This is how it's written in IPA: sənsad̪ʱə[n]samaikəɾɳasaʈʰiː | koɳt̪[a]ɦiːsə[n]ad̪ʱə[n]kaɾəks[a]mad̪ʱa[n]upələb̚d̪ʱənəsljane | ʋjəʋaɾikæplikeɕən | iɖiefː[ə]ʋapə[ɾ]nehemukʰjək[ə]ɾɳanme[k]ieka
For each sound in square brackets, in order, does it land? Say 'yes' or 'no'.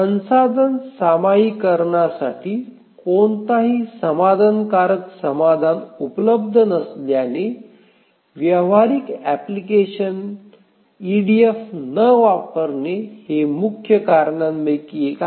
yes, yes, no, yes, no, yes, yes, yes, no, yes

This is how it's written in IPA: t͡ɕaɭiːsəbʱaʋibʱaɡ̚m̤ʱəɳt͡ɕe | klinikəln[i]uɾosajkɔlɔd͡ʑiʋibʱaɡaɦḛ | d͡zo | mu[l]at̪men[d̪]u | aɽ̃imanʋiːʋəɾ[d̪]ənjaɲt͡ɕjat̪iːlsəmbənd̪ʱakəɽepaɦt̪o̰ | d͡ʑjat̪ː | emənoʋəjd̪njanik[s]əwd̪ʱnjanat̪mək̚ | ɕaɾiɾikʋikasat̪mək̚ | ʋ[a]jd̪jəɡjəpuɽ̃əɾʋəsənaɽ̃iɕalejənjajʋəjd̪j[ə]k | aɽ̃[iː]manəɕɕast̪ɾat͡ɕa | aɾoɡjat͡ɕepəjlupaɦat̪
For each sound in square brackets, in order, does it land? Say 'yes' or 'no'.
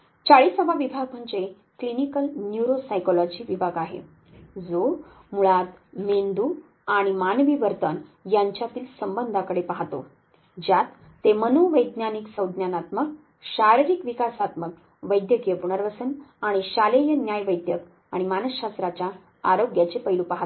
no, no, yes, no, yes, no, yes, no

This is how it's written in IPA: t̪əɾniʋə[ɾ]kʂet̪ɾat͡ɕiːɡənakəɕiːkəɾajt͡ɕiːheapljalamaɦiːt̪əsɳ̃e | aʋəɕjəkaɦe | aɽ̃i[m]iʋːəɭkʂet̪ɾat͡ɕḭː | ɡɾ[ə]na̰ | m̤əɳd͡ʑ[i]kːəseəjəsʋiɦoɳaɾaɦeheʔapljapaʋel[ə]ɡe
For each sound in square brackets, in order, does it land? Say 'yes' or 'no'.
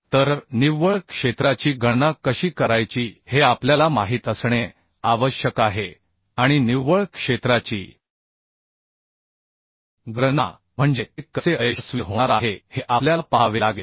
no, no, yes, no, no

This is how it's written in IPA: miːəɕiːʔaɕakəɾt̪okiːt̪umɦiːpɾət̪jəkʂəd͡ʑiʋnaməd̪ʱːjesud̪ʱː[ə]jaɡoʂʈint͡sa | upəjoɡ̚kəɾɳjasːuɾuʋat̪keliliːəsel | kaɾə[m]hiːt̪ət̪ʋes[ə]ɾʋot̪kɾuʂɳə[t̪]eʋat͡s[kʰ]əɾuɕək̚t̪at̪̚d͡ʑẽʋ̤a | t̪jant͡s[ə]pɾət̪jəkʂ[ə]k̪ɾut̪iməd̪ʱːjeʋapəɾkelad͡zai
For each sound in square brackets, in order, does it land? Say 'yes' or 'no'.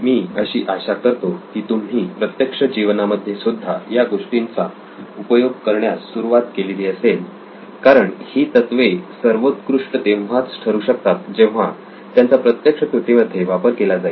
no, no, yes, yes, no, no, yes

